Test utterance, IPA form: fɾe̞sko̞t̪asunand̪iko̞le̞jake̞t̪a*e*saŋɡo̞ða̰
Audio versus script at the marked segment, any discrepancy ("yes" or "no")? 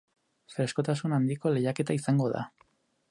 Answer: yes